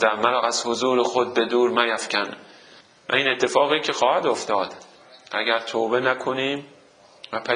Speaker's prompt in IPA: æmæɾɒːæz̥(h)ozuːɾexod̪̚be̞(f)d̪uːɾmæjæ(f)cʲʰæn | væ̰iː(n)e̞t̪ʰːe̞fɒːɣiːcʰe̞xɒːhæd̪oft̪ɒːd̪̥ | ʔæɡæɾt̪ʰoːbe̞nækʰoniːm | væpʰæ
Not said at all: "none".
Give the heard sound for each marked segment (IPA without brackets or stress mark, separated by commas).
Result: h, none, f, n